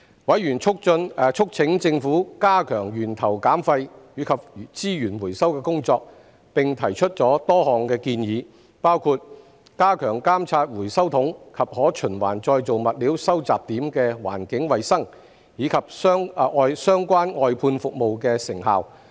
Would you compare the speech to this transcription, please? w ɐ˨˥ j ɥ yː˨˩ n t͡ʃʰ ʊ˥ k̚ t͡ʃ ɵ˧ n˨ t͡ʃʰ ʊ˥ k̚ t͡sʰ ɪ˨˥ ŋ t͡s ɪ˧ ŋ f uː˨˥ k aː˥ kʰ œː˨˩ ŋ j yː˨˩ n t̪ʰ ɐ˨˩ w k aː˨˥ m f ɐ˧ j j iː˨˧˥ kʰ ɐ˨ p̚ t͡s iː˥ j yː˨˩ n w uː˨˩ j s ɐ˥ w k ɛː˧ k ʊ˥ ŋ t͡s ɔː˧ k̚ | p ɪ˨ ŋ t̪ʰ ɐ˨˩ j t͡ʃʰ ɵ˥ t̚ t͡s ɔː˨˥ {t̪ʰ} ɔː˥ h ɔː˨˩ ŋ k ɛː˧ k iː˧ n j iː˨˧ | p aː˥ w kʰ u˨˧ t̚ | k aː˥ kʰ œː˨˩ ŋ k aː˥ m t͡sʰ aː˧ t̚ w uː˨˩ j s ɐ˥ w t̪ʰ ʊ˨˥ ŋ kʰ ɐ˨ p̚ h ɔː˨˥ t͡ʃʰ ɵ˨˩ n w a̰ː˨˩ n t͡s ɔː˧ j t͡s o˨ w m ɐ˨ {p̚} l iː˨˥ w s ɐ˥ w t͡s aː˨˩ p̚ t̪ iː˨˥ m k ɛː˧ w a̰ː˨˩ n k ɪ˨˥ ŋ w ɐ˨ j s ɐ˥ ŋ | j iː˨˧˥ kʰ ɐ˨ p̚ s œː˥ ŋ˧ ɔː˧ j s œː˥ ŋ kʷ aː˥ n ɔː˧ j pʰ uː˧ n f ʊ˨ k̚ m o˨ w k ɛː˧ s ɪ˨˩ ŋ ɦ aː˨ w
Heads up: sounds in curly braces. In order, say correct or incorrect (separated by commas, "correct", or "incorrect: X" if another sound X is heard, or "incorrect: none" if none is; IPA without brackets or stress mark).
incorrect: t̪, incorrect: t̚